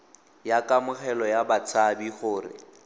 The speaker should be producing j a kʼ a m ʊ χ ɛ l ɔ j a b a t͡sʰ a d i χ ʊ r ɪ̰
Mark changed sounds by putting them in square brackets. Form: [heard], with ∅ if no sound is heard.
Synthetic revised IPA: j a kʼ a m ʊ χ ɛ l ɔ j a b a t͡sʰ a [b] i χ [ʊː] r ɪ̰